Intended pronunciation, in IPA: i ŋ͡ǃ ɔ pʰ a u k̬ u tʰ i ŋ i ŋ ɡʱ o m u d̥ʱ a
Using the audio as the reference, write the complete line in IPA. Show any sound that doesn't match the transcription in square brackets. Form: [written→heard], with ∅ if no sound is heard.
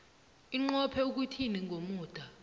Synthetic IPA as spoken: i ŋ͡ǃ ɔ pʰ [a→ɛ] u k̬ u tʰ i [ŋ→n] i ŋ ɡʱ o m [u→uː] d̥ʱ a